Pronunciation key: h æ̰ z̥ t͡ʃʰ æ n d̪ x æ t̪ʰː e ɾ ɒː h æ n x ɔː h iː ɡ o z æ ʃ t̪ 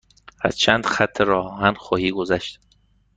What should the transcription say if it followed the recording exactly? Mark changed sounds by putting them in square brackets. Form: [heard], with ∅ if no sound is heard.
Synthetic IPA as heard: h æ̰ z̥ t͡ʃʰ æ n d̪ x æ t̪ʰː e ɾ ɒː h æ n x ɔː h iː ɡ o z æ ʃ t̪